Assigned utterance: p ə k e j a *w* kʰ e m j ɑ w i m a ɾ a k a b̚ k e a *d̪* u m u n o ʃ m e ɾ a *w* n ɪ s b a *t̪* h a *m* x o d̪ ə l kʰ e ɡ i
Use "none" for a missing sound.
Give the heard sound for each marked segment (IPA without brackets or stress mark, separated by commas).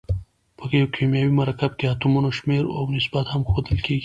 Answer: w, t̪, w, t̪, m